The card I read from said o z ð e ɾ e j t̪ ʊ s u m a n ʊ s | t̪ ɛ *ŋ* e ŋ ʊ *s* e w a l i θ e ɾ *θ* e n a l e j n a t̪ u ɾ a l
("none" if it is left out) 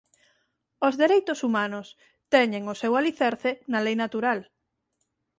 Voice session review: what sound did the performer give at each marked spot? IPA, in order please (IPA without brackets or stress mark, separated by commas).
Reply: ɲ, s, θ